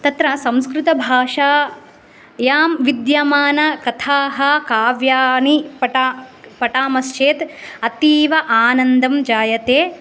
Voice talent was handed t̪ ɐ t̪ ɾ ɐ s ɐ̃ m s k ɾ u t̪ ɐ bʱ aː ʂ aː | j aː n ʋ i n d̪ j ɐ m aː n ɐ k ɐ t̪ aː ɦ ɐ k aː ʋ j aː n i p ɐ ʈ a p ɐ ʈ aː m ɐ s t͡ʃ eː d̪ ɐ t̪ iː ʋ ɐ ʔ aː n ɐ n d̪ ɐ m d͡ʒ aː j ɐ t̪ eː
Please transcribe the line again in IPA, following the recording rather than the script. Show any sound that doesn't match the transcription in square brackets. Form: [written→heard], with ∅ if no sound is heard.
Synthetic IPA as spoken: t̪ ɐ t̪ ɾ ɐ s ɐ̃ m s k ɾ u t̪ ɐ bʱ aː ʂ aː | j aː [n→m] ʋ i [n→∅] d̪ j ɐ m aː n ɐ k ɐ [t̪→t̪ʰ] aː ɦ ɐ k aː ʋ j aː n i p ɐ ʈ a p ɐ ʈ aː m ɐ s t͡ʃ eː [d̪→t̪] ɐ t̪ iː ʋ ɐ ʔ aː n ɐ n d̪ ɐ m d͡ʒ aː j ɐ t̪ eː